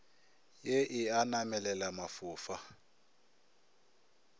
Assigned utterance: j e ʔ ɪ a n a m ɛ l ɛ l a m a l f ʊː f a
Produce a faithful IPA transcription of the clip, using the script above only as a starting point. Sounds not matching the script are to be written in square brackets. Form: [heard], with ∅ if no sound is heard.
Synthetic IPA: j e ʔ ɪ a n a m ɛ l ɛ l a m a [∅] f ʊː f a